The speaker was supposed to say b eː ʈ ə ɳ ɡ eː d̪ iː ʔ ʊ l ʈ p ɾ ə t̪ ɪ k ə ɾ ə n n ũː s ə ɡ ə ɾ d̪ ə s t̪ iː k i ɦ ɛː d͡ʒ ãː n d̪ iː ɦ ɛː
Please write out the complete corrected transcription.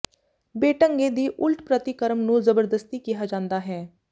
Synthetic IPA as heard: b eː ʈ ə ŋ ɡ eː d̪ iː ʔ ʊ l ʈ p ɾ ə t̪ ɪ k ə ɾ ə m n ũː z ə b ə ɾ d̪ ə s t̪ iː k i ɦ aː d͡ʒ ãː n d̪ aː ɦ ɛː